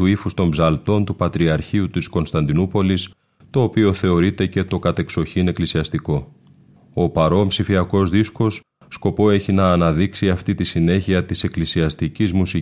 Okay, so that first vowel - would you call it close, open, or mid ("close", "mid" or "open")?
close